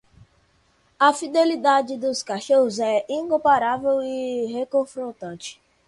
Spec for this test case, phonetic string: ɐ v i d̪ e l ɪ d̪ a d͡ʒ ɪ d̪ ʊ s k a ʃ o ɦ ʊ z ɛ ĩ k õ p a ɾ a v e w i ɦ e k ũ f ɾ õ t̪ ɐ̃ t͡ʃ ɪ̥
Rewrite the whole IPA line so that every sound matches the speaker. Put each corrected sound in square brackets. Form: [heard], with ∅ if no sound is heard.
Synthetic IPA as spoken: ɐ [f] i d̪ e l [i] d̪ a d͡ʒ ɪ d̪ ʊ s k a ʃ o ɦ ʊ z ɛ ĩ k õ p a ɾ a v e w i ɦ e k [õ] f ɾ õ t̪ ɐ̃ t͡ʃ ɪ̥